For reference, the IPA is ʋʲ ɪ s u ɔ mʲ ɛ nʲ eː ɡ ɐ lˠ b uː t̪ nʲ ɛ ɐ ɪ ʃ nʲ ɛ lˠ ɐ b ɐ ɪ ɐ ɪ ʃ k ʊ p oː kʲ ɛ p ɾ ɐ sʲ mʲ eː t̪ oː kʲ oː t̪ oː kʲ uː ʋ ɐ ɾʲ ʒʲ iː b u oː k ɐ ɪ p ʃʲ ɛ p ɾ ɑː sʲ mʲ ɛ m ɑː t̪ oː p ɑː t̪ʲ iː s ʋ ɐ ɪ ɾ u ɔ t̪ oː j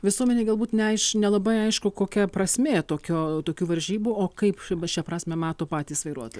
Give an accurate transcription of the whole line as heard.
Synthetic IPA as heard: ʋʲ ɪ s u ɔ mʲ ɛ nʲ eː ɡ ɐ lˠ b uː t̪ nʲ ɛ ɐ ɪ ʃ nʲ ɛ lˠ ɐ b ɐ ɪ ɐ ɪ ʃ k ʊ k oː kʲ ɛ p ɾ ɐ sʲ mʲ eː t̪ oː kʲ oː t̪ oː kʲ uː ʋ ɐ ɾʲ ʒʲ iː b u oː k ɐ ɪ p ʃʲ ɛ p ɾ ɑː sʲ mʲ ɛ m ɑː t̪ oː p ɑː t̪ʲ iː s ʋ ɐ ɪ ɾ u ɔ t̪ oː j